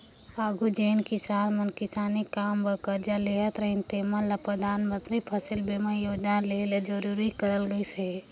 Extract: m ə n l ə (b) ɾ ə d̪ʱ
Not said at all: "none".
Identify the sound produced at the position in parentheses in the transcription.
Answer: p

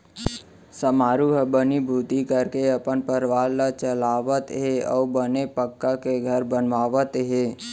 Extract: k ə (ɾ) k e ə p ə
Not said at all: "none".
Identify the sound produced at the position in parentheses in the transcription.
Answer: ɾ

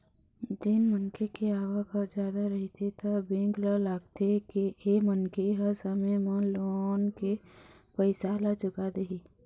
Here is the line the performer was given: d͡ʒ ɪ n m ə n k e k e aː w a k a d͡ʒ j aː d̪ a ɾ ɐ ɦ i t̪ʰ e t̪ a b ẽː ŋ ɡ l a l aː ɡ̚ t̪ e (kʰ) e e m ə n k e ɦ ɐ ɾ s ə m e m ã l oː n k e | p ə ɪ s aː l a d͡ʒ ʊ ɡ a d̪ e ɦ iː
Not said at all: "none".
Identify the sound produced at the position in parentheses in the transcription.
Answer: k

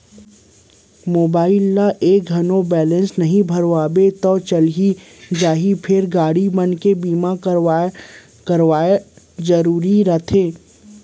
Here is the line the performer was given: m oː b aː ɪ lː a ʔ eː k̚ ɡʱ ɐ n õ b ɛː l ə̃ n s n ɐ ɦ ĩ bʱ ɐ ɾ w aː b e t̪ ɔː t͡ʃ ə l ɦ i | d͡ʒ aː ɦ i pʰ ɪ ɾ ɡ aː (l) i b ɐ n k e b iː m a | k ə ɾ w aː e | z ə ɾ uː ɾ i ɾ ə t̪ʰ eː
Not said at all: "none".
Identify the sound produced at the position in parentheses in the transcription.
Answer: ɽ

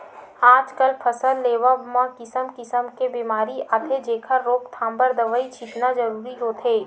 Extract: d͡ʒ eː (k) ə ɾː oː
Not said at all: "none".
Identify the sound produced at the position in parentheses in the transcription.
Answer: kʰ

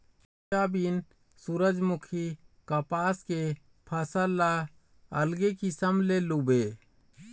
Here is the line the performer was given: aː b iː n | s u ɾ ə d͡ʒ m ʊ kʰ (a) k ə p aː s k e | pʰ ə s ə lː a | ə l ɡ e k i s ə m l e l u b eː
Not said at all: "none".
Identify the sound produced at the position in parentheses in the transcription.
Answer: i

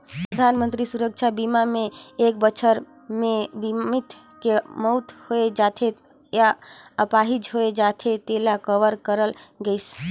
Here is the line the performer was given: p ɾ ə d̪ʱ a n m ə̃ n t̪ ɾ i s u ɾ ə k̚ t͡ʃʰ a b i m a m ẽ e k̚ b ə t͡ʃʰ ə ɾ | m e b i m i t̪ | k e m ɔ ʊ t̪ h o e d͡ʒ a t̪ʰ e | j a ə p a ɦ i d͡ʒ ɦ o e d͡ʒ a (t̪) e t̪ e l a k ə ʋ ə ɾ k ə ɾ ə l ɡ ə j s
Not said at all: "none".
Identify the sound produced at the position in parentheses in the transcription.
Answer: t̪ʰ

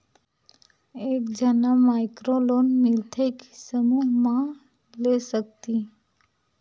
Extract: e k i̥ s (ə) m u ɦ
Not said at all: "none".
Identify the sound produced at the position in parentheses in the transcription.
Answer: ə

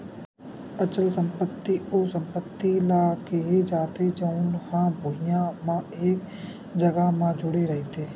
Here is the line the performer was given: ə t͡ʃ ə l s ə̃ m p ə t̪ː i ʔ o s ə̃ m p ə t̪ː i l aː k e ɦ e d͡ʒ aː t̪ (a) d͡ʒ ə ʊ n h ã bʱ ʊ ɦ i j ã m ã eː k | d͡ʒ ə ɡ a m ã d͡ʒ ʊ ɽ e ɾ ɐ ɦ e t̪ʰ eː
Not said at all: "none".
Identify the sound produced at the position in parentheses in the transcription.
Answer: e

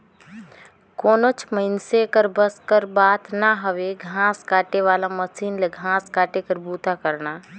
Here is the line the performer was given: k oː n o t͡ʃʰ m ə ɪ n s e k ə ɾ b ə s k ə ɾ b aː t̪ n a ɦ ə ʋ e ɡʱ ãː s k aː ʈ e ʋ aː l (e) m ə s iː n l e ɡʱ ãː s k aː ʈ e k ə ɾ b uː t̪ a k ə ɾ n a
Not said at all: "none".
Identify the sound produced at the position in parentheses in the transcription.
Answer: a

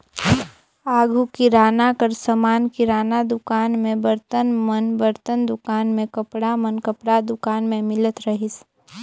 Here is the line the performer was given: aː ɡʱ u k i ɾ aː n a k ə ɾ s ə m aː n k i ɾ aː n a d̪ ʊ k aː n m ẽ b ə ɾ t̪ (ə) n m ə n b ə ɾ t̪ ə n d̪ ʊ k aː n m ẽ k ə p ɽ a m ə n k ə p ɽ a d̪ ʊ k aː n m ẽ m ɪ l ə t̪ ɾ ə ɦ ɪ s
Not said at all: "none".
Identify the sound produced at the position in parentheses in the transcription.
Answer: ə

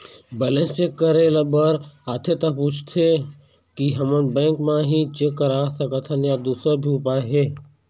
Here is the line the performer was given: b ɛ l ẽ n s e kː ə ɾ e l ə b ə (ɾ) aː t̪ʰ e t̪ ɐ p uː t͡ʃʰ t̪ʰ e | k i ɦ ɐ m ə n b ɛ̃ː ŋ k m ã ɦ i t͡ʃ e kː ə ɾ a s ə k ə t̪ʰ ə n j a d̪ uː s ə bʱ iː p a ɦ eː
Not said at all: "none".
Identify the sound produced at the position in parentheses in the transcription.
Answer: ɾ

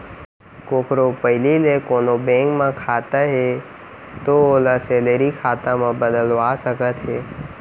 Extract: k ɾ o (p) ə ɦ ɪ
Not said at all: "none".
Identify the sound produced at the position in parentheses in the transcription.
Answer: p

